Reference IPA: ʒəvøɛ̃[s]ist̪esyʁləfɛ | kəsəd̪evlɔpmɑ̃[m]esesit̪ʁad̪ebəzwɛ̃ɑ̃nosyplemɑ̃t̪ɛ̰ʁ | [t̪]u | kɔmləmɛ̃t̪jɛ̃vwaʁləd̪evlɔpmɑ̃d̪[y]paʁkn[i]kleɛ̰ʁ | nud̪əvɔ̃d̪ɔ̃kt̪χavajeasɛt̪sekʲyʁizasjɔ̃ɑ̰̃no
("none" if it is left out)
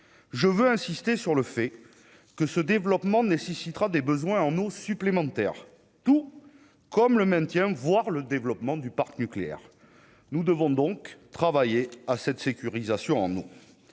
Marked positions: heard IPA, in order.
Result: s, n, t̪, y, y

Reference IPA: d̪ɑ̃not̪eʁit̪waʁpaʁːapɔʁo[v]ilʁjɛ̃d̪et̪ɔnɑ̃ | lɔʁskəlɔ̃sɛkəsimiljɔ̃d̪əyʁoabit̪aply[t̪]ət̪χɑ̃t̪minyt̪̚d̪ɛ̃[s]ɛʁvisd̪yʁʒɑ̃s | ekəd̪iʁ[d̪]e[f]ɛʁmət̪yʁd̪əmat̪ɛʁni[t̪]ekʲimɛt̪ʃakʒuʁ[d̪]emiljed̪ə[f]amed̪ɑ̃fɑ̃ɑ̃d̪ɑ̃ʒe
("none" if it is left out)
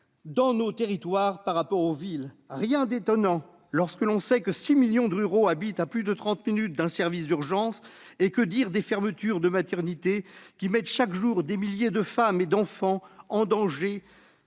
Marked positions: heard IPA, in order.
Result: v, d̪, s, d̪, f, t̪, d̪, f

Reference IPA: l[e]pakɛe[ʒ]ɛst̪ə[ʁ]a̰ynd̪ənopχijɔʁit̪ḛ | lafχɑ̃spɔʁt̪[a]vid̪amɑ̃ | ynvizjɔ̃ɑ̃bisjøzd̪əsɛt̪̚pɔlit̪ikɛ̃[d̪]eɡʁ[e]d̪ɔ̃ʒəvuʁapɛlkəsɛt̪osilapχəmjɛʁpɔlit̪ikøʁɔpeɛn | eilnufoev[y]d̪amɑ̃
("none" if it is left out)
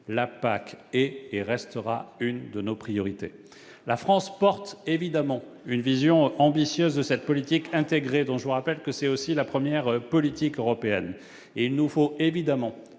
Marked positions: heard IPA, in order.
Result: a, ʁ, ʁ, e, t̪, e, i

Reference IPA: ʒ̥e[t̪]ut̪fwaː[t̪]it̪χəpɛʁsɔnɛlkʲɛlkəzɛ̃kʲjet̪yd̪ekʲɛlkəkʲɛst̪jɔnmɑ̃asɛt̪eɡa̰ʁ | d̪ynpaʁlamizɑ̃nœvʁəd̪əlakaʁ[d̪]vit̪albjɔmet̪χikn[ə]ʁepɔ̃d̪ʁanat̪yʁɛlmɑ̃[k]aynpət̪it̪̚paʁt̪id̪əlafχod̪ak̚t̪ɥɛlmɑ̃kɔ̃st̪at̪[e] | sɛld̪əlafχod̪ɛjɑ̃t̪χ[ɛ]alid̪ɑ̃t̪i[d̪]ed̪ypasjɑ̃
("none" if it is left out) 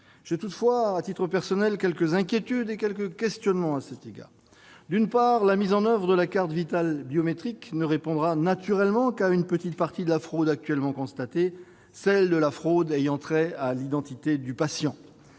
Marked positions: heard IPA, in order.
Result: t̪, t̪, t̪, ə, k, e, ɛ, t̪

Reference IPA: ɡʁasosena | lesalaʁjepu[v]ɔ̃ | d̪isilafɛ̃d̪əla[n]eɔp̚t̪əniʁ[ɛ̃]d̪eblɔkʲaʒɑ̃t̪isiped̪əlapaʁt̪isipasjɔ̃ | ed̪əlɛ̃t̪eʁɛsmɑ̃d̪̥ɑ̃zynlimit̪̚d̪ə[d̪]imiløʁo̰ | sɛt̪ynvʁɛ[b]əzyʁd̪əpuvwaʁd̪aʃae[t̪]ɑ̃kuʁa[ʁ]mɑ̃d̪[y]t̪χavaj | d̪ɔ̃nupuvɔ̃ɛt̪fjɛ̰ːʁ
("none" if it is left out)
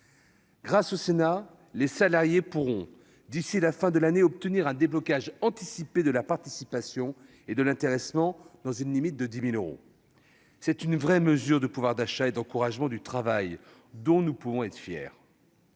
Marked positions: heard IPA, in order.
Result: ʁ, n, ɛ̃, d̪, m, d̪, ʒ, y

